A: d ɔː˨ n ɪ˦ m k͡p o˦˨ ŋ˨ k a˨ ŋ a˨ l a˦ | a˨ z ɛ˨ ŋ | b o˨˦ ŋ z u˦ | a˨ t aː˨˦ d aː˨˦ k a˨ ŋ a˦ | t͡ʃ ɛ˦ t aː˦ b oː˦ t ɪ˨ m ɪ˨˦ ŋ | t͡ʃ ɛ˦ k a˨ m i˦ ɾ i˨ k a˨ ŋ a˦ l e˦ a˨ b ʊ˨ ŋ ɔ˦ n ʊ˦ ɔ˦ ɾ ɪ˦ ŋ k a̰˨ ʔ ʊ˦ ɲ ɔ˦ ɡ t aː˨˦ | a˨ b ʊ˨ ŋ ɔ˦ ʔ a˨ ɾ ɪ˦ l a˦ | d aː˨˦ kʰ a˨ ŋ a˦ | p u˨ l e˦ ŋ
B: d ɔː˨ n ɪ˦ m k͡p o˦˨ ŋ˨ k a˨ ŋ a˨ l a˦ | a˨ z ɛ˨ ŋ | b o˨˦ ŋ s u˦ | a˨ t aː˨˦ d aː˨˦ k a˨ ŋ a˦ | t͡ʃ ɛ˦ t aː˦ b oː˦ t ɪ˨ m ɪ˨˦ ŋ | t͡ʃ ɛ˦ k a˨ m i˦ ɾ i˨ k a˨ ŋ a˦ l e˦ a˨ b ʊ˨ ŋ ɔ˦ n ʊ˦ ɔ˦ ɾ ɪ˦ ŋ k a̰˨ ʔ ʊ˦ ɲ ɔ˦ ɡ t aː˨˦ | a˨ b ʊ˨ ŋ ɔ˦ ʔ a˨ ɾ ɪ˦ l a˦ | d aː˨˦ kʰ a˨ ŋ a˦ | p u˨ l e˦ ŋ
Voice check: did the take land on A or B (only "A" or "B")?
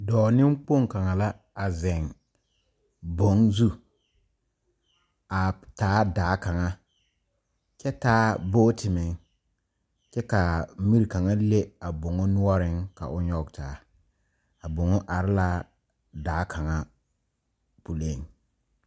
A